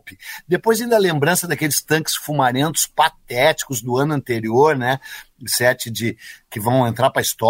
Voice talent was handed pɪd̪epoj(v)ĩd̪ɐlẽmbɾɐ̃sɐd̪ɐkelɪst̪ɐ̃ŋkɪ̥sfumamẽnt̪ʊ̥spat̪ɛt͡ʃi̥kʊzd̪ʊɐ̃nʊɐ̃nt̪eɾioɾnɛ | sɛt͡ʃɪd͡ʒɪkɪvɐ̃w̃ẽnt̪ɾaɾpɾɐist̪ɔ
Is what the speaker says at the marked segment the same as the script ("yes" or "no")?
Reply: no